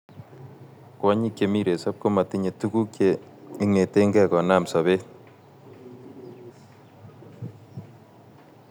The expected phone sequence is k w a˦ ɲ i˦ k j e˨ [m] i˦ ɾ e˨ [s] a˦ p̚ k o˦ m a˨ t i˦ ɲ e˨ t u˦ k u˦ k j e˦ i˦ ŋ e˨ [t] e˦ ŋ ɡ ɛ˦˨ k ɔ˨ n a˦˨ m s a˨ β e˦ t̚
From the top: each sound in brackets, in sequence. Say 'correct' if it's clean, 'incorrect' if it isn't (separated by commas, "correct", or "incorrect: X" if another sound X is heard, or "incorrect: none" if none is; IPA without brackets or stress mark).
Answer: correct, correct, correct